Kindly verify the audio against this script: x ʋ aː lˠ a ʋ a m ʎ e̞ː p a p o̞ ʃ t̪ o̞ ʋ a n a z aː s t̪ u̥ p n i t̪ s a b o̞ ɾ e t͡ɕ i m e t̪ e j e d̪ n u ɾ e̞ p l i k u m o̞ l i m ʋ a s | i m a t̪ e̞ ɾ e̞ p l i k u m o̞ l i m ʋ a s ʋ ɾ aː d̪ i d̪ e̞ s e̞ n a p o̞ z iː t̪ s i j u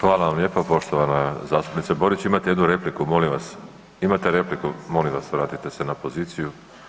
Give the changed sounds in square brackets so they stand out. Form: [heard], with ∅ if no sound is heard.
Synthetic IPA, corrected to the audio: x ʋ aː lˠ a ʋ a m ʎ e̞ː p a p o̞ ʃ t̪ o̞ ʋ a n a z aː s t̪ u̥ p n i t̪ s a b o̞ ɾ [i] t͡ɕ i m [a] t̪ e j e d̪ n u ɾ e̞ p l i k u m o̞ l i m ʋ a s | i m a t̪ e̞ ɾ e̞ p l i k u m o̞ l i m ʋ a s ʋ ɾ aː [t̪] i [t̪] e̞ s e̞ n a p o̞ z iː t̪ s i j u

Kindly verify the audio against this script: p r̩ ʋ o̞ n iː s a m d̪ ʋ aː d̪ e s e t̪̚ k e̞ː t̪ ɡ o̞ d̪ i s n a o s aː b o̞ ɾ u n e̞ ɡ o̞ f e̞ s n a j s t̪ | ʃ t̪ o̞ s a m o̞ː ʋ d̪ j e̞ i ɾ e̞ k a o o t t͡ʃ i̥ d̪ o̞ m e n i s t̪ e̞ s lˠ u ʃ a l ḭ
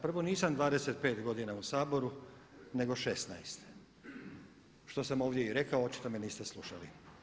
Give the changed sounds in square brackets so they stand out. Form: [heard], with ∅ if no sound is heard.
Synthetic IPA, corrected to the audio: p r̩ ʋ o̞ n iː s a m d̪ ʋ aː d̪ e s e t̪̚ [p] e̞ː t̪ ɡ o̞ d̪ i [∅] n a [u] s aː b o̞ ɾ u n e̞ ɡ o̞ [ʃ] e̞ s n a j s t̪ | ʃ t̪ o̞ s a m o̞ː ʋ d̪ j e̞ i ɾ e̞ k a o o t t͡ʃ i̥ [t̪] o̞ m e n [iː] s t̪ e̞ s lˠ u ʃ a l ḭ

